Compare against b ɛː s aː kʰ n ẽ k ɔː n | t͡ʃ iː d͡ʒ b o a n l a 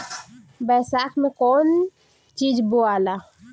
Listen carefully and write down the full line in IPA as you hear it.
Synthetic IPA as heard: b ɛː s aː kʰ m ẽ k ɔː n | t͡ʃ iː d͡ʒ b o a l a